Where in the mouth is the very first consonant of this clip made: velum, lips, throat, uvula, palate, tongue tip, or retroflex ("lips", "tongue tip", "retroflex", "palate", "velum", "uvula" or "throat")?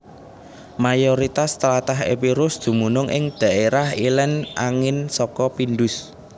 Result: lips